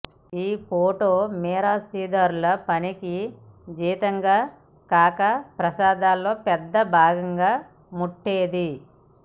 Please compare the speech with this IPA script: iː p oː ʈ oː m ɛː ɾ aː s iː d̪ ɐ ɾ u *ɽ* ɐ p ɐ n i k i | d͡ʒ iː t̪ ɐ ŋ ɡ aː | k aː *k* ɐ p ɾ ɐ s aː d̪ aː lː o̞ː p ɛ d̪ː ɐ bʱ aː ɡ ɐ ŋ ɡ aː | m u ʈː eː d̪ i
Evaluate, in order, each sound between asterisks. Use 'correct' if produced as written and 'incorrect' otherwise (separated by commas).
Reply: incorrect, correct